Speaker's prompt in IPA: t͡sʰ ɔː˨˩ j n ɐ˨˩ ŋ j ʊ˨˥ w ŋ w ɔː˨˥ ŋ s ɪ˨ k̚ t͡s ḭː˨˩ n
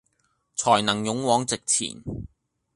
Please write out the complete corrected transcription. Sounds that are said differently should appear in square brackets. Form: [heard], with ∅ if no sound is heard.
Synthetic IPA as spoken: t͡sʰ ɔː˨˩ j n ɐ˨˩ ŋ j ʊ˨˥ [∅] ŋ w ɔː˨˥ ŋ [t͡s] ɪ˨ k̚ [t͡sʰ] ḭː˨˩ n